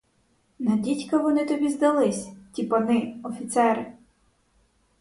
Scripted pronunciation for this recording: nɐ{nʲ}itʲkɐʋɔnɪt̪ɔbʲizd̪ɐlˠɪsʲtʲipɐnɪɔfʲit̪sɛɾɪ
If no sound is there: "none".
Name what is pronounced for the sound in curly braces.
dʲ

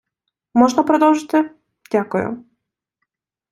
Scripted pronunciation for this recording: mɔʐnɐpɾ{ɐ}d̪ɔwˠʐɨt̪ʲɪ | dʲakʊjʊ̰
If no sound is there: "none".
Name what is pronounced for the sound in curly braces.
ɐ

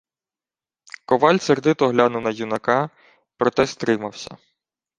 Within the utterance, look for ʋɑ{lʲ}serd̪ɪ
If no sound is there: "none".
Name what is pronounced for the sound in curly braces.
lʲ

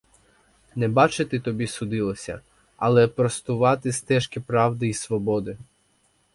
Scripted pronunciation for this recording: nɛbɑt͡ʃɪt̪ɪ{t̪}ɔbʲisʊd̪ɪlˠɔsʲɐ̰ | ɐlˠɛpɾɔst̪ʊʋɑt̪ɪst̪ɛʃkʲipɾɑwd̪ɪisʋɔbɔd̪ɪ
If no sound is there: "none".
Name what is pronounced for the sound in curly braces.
t̪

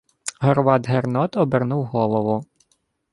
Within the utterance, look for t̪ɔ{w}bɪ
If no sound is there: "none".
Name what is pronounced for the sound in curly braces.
none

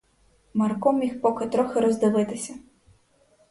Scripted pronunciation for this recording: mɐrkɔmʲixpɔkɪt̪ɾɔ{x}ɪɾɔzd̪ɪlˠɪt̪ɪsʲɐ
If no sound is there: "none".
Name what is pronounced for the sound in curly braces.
x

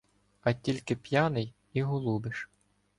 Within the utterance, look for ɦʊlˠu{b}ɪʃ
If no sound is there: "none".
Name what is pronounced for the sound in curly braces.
b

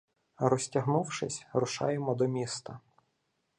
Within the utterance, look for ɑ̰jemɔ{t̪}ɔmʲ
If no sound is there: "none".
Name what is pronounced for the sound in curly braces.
d̪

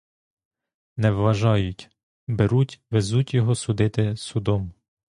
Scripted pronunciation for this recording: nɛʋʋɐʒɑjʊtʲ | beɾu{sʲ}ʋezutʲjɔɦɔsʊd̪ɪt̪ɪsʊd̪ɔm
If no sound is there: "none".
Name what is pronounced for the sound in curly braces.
tʲ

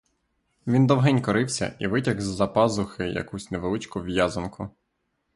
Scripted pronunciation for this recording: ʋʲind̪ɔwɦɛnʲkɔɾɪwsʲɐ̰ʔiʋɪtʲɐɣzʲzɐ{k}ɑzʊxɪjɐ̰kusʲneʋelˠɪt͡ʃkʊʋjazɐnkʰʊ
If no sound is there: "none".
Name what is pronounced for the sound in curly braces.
p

